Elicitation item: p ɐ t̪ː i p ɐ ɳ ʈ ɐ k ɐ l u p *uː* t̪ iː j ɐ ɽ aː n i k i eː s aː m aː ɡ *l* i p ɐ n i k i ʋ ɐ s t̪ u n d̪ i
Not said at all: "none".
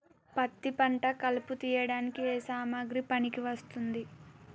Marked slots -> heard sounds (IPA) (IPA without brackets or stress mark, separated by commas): u, ɾ